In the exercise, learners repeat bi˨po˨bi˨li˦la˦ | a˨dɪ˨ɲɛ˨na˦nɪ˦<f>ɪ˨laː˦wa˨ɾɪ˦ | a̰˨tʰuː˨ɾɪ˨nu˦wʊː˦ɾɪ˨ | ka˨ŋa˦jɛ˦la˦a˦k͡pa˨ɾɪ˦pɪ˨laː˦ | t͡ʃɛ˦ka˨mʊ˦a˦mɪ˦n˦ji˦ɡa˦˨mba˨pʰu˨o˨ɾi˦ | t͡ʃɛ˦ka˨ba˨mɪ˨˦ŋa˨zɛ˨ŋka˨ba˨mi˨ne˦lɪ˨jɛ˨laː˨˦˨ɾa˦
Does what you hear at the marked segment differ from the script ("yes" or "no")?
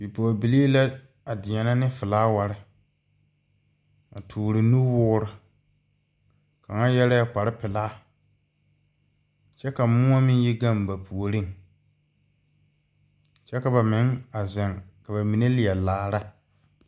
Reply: no